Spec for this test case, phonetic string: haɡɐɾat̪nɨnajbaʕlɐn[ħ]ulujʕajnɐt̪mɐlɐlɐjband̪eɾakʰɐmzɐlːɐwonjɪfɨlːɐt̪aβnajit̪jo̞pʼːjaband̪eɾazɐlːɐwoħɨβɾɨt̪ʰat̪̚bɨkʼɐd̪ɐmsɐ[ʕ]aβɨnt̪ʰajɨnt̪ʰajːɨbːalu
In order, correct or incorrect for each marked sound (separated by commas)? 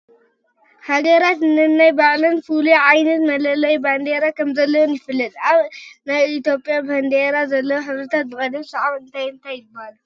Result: incorrect, correct